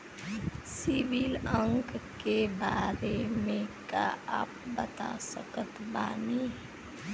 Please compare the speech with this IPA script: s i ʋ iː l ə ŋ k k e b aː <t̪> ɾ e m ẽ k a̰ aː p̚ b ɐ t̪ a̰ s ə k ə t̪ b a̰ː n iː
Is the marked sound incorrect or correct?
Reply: incorrect